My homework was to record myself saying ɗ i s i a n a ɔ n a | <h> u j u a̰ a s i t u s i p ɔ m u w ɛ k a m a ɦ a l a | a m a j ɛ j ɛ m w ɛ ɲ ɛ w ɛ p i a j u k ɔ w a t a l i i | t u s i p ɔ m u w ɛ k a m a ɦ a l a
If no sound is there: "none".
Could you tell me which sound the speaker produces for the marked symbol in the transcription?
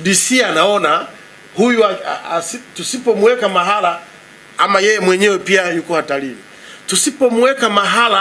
h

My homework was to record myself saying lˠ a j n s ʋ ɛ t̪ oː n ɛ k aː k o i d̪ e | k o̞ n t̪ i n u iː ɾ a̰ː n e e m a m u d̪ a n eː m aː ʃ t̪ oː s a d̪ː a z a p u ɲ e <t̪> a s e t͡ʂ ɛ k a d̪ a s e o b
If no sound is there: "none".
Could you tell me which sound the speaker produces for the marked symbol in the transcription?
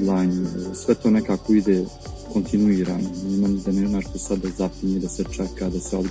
d̪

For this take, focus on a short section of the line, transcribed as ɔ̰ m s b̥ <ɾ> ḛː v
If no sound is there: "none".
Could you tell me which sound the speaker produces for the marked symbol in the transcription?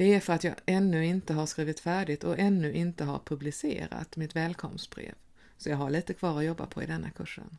ɾ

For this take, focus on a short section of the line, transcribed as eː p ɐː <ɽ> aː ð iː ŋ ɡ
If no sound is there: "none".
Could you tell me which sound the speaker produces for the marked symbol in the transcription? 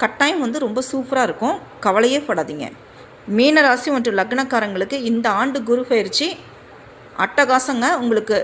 ɽ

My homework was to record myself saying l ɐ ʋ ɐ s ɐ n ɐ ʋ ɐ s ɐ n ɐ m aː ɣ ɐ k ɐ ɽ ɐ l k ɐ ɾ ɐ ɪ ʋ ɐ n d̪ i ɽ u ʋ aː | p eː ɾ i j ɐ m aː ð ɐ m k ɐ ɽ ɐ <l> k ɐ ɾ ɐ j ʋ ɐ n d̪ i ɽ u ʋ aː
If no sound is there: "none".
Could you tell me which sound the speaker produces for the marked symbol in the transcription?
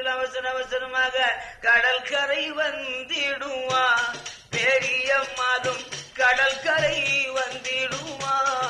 l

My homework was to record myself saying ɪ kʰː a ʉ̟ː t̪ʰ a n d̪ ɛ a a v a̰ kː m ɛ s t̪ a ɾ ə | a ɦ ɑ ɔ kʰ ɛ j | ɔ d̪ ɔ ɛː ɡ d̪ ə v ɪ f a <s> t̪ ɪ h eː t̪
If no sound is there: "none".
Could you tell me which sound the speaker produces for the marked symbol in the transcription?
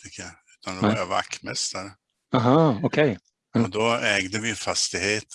s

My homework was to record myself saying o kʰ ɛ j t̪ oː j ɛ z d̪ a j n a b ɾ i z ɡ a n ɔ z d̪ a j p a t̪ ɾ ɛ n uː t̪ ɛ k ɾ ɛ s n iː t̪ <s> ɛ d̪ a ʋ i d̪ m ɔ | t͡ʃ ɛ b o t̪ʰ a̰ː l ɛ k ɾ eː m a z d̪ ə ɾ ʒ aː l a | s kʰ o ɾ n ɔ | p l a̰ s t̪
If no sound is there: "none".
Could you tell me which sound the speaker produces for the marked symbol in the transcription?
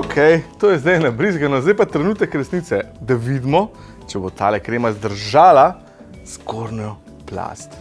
s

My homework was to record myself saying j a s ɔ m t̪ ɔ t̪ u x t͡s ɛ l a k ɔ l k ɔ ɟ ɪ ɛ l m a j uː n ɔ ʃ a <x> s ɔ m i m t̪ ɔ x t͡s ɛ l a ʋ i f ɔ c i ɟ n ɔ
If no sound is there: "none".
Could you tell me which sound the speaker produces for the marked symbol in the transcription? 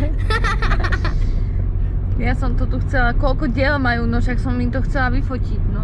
k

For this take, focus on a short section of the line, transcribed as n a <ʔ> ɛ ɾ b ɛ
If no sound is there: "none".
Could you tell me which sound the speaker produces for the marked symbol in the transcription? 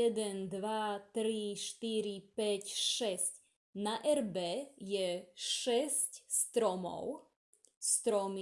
ʔ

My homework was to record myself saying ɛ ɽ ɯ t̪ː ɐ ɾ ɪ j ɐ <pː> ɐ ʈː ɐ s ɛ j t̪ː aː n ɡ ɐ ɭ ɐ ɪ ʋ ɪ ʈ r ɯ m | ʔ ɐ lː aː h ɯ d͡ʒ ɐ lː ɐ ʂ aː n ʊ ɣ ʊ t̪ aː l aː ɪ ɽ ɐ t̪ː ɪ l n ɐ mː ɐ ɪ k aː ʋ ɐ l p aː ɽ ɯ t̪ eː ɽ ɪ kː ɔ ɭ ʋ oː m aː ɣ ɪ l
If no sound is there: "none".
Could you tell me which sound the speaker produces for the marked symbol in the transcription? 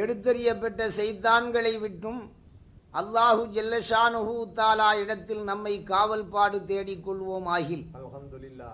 pː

